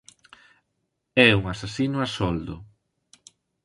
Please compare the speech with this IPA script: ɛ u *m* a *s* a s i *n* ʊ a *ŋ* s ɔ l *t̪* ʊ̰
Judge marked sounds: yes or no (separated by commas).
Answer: no, yes, yes, no, no